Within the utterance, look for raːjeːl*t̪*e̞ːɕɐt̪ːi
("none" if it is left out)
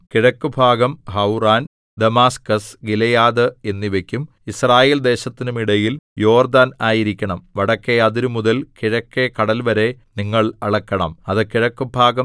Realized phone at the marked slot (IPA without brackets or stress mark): d̪